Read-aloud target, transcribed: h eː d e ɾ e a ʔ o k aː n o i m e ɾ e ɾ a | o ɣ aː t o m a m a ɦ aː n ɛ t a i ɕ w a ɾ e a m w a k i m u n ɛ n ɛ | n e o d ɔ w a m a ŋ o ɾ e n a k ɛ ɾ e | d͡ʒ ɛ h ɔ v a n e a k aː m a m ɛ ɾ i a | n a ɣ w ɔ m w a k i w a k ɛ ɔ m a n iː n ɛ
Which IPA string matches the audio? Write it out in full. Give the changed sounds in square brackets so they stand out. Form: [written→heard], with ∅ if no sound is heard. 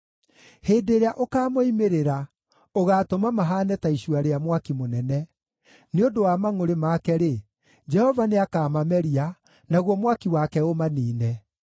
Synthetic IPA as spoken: h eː d e ɾ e a ʔ o k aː [n→m] o i m e ɾ e ɾ a | o ɣ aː t o m a m a ɦ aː n ɛ t a i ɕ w a ɾ e a m w a k i m [u→o] n ɛ n ɛ | n e o d [ɔ→o] w a m a ŋ o ɾ e [n→m] a k ɛ ɾ e | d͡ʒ ɛ h ɔ v a n e a k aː m a m ɛ ɾ i a | n a ɣ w ɔ m w a k i w a k ɛ [ɔ→o] m a n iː n ɛ